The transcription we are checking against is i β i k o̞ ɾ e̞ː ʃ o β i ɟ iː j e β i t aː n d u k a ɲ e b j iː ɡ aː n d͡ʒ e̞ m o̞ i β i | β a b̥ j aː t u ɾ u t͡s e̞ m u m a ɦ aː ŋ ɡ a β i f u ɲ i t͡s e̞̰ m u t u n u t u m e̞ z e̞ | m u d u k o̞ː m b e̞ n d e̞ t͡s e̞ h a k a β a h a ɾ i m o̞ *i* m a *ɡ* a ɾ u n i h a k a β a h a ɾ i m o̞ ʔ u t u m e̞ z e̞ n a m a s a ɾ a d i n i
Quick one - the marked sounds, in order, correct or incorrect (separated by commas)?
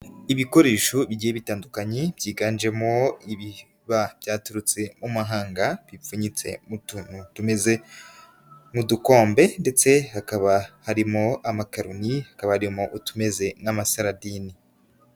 incorrect, incorrect